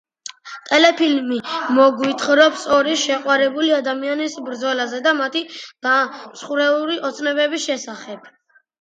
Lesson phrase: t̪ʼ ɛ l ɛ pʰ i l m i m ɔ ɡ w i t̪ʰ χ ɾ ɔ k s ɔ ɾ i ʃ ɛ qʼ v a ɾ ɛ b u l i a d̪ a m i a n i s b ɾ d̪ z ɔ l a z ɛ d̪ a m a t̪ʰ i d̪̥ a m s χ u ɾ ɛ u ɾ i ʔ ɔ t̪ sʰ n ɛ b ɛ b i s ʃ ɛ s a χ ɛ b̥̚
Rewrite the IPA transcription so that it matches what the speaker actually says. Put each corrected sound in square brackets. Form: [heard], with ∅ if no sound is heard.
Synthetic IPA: t̪ʼ ɛ l ɛ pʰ i l m i m ɔ ɡ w i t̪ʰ χ ɾ ɔ [p] s ɔ ɾ i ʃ ɛ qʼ [w] a ɾ ɛ b u l i a d̪ a m i a n i s b ɾ d̪ z ɔ l a z ɛ d̪ a m a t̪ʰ i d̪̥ a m s χ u ɾ ɛ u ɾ i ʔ ɔ t̪ sʰ n ɛ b ɛ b i s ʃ ɛ s a χ ɛ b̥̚